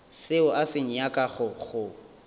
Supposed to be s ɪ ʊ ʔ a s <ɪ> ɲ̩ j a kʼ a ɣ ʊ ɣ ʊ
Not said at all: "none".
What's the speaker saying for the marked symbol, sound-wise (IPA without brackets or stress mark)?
ɪ